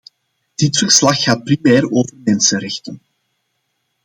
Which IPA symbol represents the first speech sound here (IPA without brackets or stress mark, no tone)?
d̥